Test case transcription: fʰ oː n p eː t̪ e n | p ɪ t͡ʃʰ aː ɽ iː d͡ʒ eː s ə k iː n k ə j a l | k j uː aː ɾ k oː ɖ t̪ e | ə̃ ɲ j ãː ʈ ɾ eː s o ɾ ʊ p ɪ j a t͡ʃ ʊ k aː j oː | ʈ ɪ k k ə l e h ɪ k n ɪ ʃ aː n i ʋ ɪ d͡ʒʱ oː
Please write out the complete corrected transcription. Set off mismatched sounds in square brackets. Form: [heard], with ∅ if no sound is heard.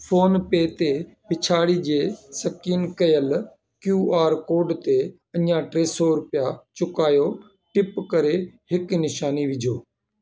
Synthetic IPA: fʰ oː n p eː t̪ e [∅] | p ɪ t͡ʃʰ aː ɽ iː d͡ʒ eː s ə k iː n k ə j [ə] l | k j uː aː ɾ k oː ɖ t̪ e | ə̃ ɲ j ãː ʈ ɾ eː s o ɾ ʊ p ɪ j a t͡ʃ ʊ k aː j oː | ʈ ɪ [p] k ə [ɾ] e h ɪ k n ɪ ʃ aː n i ʋ ɪ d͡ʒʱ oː